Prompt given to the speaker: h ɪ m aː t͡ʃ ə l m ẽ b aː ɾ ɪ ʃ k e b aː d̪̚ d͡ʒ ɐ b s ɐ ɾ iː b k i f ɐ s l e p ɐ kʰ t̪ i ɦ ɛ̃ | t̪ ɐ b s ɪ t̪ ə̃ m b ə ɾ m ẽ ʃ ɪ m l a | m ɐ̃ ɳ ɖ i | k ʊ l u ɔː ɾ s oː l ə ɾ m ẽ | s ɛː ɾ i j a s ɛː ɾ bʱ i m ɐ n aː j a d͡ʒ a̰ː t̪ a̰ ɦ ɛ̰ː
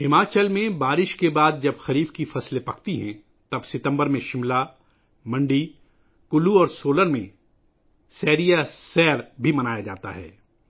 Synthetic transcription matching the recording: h ɪ m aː t͡ʃ ə l m ẽ b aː ɾ ɪ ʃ k e b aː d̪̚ d͡ʒ ɐ b x ɐ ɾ iː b k i f ɐ s l e p ɐ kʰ t̪ i ɦ ɛ̃ | t̪ ɐ b s ɪ t̪ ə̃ m b ə ɾ m ẽ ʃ ɪ m l a | m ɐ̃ ɳ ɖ i | k ʊ l u ɔː ɾ s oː l ə ɾ m ẽ | s ɛː ɾ i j a s ɛː ɾ bʱ i m ɐ n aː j a d͡ʒ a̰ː t̪ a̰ ɦ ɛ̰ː